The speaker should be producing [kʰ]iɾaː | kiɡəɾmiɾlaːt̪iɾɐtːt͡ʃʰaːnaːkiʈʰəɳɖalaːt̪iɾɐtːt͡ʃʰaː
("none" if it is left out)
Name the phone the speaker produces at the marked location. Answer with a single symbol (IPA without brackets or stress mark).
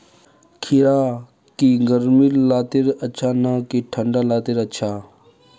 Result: kʰ